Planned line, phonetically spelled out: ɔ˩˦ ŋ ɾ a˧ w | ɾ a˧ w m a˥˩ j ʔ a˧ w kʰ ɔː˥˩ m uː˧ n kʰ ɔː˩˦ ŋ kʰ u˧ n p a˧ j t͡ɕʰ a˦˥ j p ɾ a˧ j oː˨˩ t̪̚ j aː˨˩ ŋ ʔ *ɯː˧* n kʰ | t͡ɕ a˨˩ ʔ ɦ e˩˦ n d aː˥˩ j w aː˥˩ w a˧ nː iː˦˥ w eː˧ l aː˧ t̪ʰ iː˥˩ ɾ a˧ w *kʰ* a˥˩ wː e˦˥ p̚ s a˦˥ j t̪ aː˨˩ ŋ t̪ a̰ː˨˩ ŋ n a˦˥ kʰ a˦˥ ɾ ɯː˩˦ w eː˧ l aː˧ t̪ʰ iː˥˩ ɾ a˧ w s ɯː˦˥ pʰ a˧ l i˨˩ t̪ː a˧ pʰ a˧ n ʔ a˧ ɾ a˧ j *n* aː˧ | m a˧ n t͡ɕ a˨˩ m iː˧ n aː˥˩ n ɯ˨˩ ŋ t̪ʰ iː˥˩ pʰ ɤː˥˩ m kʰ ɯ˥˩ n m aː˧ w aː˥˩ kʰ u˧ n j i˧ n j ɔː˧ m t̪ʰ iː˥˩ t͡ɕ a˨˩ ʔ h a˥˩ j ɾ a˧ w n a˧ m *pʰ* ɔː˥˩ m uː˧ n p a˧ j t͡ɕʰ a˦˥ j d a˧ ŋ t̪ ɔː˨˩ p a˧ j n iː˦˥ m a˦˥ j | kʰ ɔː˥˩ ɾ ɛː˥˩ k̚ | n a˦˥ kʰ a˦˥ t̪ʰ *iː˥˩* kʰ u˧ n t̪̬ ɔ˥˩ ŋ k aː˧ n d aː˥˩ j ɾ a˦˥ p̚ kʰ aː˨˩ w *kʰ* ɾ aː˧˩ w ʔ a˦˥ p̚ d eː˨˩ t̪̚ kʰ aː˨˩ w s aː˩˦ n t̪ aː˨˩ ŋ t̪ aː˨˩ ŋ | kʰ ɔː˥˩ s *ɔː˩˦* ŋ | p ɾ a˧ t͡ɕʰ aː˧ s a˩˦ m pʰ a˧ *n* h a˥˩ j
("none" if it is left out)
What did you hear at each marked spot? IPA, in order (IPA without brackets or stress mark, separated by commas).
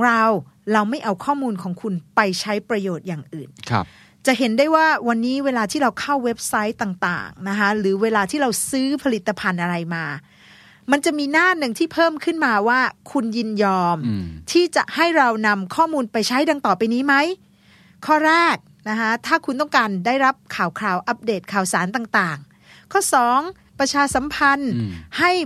ɯː˨˩, kʰ, m, kʰ, aː˥˩, kʰ, ɔː˩˦, n